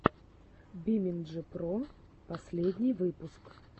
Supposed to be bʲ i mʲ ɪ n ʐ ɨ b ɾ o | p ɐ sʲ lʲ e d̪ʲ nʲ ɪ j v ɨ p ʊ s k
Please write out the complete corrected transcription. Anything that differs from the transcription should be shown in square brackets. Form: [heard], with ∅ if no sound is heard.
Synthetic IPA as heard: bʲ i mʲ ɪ n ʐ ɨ [p] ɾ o | p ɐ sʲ lʲ e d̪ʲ nʲ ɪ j v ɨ p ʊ s k